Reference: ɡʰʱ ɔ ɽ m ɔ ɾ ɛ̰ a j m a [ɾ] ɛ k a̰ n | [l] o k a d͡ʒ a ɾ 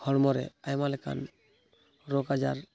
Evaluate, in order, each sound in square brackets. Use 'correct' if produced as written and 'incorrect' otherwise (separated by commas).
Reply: incorrect, incorrect